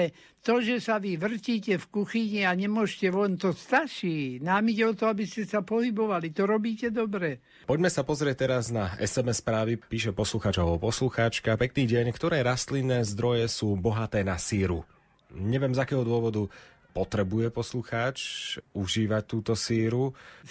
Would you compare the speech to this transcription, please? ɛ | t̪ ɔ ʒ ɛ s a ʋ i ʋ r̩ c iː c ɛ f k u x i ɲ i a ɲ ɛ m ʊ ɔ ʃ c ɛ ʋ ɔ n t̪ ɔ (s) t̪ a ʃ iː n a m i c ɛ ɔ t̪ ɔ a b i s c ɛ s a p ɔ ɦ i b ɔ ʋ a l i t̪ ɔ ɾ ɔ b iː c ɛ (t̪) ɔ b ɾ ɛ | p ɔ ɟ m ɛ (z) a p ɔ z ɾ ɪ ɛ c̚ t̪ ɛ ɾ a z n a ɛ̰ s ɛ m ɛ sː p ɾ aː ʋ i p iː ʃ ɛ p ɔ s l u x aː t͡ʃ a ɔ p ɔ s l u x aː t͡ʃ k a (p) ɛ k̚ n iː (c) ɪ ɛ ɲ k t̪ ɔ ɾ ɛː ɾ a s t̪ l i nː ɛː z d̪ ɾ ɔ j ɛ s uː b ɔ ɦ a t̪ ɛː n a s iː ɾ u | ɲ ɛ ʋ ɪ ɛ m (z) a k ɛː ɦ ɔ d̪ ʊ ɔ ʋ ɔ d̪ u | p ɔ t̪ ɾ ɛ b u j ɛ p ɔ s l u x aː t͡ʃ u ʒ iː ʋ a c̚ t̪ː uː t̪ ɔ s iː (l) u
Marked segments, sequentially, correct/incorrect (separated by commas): correct, incorrect, incorrect, correct, incorrect, correct, incorrect